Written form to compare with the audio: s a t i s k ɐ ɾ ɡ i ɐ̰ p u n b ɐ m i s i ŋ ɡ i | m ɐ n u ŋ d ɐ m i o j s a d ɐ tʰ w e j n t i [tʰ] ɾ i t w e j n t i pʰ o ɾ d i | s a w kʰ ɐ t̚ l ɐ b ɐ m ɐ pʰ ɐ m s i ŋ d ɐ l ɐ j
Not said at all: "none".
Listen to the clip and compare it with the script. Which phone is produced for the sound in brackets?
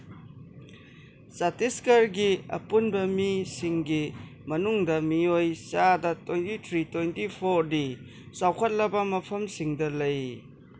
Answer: tʰ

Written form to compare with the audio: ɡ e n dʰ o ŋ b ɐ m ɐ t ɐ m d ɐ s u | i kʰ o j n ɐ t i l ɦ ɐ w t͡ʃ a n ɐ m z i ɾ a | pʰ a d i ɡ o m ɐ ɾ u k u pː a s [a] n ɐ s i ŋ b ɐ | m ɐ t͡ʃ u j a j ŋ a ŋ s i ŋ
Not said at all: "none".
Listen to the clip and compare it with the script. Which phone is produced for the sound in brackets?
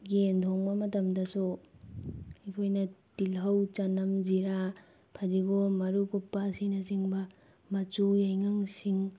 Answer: i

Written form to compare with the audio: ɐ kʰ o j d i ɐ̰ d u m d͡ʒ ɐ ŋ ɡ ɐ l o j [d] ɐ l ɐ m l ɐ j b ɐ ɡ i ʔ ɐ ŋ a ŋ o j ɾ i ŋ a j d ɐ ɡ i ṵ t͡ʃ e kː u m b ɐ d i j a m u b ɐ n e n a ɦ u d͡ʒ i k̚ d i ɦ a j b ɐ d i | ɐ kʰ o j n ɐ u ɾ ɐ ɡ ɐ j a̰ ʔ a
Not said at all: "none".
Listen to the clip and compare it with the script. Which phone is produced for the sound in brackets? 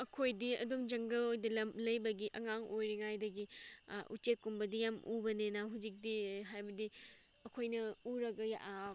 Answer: d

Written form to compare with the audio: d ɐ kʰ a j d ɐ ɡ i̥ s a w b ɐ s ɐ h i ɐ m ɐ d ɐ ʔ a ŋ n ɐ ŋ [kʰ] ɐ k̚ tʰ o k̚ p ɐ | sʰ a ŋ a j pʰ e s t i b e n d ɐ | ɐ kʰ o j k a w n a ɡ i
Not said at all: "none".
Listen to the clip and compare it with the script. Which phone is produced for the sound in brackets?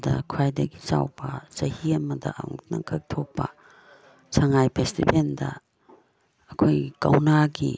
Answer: kʰ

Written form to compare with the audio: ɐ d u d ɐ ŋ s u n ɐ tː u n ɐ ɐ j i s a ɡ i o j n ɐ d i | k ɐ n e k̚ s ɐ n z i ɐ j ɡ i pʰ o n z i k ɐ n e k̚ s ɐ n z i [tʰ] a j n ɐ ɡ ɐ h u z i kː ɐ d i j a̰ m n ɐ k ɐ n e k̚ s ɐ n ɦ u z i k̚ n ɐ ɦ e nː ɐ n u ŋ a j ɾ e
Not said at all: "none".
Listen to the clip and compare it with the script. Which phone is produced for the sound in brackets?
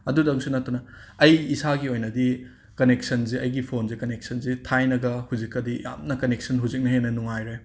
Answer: tʰ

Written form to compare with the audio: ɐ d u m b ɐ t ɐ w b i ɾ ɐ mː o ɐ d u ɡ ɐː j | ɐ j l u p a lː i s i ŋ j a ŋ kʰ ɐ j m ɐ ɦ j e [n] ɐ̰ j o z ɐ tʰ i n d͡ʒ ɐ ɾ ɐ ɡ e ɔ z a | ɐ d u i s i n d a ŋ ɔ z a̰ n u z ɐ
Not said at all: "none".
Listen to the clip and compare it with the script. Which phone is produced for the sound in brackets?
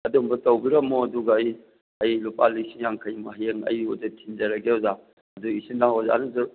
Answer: ŋ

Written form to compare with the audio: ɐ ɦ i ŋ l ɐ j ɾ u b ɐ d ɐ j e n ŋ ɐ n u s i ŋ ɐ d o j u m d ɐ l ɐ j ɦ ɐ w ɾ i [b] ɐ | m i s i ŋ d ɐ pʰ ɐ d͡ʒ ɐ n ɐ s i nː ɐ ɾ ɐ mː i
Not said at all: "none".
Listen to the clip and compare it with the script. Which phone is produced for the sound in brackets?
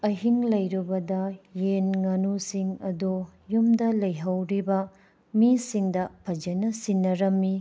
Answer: b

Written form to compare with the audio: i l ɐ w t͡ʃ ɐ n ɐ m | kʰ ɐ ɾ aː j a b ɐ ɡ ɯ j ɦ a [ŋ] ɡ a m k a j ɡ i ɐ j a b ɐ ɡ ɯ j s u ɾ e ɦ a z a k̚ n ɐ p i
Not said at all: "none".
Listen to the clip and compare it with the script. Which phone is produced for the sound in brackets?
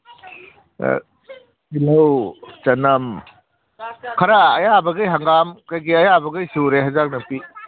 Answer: ŋ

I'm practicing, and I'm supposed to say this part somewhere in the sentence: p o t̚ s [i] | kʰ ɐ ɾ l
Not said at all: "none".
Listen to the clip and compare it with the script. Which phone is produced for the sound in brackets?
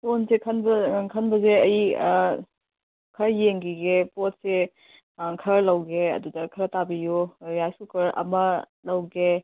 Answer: e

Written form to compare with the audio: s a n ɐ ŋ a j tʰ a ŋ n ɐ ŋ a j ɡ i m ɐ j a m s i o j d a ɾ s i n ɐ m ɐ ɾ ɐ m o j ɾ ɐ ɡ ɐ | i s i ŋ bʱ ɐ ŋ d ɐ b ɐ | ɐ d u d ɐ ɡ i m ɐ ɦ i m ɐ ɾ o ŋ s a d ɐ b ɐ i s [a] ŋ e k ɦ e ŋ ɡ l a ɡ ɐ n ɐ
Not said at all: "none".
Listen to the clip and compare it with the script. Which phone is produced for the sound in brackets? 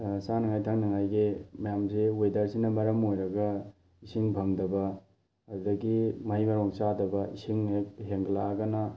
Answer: i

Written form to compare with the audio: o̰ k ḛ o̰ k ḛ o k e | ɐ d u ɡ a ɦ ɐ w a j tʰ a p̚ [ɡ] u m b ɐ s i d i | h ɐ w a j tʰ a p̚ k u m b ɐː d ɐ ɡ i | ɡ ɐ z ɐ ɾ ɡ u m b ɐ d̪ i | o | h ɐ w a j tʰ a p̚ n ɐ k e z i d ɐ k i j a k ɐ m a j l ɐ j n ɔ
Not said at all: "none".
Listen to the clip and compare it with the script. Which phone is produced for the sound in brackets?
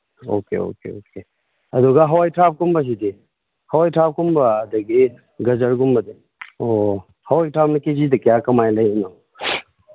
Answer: k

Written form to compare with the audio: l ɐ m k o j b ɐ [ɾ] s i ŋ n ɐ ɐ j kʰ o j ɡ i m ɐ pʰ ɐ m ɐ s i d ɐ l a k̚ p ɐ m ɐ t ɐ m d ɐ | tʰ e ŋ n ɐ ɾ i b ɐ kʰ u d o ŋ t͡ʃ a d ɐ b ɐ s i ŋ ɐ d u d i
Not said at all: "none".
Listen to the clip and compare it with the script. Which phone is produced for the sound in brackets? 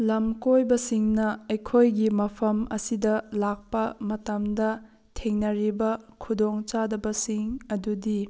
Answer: none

